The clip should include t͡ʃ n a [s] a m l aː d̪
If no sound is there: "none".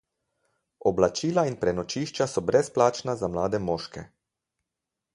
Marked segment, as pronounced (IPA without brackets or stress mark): z